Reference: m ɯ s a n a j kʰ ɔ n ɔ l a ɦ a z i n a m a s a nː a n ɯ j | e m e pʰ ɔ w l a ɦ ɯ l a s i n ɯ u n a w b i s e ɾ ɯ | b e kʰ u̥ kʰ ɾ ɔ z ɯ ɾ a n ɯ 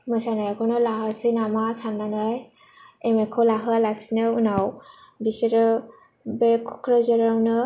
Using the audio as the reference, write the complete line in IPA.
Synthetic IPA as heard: m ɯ s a n a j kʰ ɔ n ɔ l a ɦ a s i n a m a s a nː a n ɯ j | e m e kʰ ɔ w l a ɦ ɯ l a s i n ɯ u n a w b i s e ɾ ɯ | b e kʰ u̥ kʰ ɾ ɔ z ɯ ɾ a n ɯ